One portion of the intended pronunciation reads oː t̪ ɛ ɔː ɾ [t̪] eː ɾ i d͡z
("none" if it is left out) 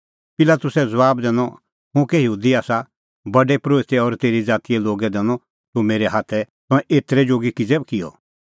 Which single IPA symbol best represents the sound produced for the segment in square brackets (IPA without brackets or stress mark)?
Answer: t̪